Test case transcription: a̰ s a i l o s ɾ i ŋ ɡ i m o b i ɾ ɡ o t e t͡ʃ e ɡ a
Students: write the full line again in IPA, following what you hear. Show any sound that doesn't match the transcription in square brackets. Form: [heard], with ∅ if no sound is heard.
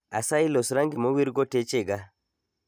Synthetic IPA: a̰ s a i l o s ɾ [a] ŋ ɡ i m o [w] i ɾ ɡ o t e t͡ʃ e ɡ a